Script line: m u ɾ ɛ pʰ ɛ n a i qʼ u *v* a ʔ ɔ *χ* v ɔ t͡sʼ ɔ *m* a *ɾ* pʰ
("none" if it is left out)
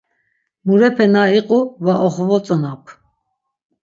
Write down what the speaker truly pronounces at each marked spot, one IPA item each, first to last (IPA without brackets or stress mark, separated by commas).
v, χ, n, none